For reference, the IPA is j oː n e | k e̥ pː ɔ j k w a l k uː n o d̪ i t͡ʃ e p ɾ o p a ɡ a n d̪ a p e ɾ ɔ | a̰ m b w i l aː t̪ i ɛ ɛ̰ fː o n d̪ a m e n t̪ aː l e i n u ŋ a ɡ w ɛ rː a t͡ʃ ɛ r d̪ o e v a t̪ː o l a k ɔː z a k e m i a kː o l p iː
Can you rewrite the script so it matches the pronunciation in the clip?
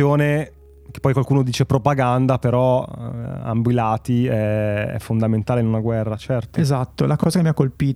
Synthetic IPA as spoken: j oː n e | k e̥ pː ɔ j k w a l k uː n o d̪ iː t͡ʃ e p ɾ o p a ɡ a n d̪ a p e ɾ ɔ | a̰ m b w i l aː t̪ i ɛ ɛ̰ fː o n d̪ a m e n t̪ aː l e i n u n a ɡ w ɛ rː a t͡ʃ ɛ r t̪ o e z a t̪ː o l a k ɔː z a k e m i a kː o l p iː